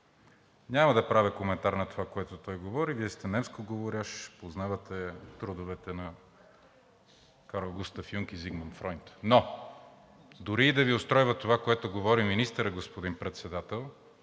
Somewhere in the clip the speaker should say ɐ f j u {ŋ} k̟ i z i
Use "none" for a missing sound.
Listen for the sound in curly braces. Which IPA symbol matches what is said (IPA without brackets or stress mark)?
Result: ŋ